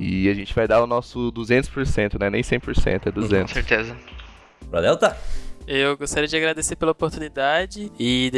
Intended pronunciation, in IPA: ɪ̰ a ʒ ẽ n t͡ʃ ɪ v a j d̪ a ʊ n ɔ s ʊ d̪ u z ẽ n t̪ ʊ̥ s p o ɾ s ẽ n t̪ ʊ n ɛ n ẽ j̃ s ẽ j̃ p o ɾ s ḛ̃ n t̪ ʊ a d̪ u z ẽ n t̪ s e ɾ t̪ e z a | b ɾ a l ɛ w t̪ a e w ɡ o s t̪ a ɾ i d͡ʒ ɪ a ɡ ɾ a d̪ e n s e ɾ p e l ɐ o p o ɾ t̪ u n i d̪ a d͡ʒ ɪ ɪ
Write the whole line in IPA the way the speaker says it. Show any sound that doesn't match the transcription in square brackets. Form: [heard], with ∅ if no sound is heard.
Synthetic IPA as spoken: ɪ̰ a ʒ ẽ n t͡ʃ ɪ v a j d̪ a ʊ n ɔ s ʊ d̪ u z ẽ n t̪ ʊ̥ s p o ɾ s ẽ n t̪ ʊ n ɛ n ẽ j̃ s ẽ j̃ p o ɾ s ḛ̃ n t̪ ʊ [ɛ] d̪ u z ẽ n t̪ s e ɾ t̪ e z [ɐ] | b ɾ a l ɛ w t̪ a e w ɡ o s t̪ a ɾ i d͡ʒ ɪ a ɡ ɾ a d̪ e [∅] s e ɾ p e l ɐ o p o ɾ t̪ u n i d̪ a d͡ʒ ɪ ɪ